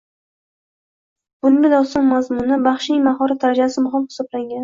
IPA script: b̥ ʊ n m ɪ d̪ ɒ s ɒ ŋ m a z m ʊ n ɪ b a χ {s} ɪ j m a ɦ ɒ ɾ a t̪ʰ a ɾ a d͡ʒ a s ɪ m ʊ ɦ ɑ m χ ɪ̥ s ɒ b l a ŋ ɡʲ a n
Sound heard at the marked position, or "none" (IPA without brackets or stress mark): ʃ